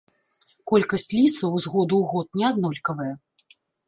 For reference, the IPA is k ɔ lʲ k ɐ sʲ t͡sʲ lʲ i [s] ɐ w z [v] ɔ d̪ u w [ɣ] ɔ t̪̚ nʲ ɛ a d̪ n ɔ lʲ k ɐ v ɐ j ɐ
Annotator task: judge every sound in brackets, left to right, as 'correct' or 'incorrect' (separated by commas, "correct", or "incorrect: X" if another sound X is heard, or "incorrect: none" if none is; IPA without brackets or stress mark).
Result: correct, incorrect: ɣ, correct